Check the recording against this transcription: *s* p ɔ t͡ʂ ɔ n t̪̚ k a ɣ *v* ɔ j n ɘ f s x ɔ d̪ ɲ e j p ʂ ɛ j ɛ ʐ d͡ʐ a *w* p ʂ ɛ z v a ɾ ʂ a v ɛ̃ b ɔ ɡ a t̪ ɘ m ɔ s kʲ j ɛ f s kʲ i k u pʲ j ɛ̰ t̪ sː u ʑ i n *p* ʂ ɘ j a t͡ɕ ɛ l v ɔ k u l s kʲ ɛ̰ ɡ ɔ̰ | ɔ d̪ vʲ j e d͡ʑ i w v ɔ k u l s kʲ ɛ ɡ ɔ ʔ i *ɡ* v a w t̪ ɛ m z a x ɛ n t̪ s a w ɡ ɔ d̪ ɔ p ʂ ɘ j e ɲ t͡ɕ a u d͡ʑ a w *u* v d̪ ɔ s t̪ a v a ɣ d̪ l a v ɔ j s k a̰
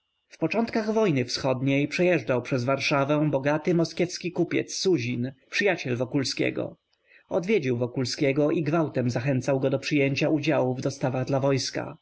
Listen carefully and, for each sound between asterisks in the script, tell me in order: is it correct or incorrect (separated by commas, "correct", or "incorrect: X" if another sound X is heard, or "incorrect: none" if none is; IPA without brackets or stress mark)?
incorrect: f, correct, correct, correct, correct, correct